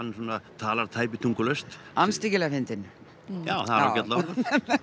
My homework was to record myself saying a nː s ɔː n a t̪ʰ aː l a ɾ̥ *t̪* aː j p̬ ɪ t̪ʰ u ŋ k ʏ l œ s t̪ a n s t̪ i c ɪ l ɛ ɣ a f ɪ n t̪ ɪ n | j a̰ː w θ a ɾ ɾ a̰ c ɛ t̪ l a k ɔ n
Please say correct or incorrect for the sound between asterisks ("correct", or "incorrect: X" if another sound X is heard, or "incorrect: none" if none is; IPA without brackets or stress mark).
incorrect: t̪ʰ